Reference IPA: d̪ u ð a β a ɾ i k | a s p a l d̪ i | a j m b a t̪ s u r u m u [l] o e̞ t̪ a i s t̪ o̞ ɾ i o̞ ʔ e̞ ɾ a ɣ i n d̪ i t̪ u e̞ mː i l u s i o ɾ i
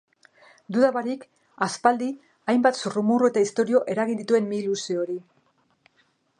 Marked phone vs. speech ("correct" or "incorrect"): incorrect